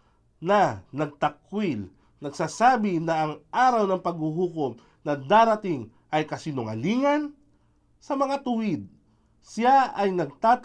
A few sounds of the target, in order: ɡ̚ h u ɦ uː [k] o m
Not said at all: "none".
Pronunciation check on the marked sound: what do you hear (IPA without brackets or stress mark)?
k